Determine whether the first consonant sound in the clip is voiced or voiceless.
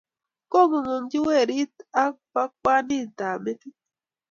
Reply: voiceless